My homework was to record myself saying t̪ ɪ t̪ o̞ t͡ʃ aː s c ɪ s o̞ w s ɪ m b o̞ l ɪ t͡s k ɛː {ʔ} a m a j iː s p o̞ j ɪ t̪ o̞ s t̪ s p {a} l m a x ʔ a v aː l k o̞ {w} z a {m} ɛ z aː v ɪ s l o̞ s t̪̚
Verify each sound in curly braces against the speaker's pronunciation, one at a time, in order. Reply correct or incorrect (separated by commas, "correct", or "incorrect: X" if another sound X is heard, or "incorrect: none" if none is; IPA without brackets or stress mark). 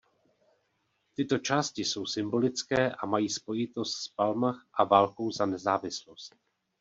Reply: correct, correct, correct, incorrect: n